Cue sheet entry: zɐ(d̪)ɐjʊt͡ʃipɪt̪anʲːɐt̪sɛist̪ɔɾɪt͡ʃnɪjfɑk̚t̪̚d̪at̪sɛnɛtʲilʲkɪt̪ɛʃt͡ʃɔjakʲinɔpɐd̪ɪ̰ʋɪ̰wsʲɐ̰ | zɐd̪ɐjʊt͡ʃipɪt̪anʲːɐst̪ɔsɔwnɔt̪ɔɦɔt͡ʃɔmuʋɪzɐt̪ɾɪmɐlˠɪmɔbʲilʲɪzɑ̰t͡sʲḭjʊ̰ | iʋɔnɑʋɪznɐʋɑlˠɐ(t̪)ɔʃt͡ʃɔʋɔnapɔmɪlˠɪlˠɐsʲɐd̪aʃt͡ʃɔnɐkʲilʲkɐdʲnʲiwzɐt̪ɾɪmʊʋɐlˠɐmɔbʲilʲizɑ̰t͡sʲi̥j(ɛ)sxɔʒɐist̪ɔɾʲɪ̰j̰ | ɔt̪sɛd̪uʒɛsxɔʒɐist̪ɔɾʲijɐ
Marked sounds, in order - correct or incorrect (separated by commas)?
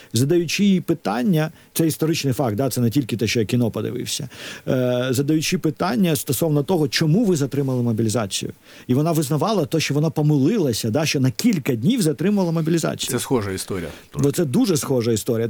correct, correct, correct